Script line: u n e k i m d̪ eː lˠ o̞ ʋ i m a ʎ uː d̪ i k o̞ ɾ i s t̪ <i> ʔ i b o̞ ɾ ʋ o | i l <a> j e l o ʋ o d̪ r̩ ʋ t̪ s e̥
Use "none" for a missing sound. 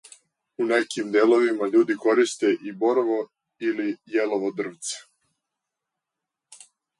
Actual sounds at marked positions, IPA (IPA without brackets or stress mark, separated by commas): e, i